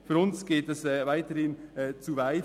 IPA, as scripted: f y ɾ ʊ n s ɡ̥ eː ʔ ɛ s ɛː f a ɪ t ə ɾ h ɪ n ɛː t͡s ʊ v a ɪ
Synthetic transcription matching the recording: f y ɾ ʊ n s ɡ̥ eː t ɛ s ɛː v a ɪ t ə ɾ h ɪ n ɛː t͡s u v a ɪ